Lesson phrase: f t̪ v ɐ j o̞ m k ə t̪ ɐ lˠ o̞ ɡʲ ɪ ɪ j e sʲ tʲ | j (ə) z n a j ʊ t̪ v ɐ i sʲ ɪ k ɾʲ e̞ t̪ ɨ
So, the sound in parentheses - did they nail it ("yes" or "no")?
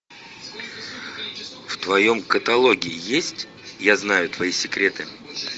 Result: no